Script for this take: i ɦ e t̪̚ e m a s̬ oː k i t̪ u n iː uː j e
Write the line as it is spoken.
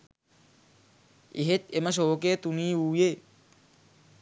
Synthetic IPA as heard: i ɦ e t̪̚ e m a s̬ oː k e t̪ u n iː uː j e